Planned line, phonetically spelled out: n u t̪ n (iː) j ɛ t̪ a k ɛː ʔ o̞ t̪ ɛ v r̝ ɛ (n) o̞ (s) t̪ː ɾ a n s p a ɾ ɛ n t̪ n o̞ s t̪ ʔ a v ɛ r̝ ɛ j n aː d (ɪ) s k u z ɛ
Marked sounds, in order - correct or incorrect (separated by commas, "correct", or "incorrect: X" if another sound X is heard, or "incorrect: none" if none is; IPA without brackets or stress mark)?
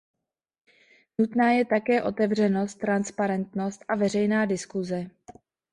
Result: incorrect: aː, correct, correct, correct